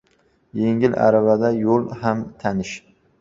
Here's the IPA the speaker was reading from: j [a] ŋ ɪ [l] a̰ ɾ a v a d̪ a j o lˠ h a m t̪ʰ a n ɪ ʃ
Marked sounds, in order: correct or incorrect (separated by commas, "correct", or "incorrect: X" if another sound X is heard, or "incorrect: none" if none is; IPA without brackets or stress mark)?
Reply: incorrect: e, correct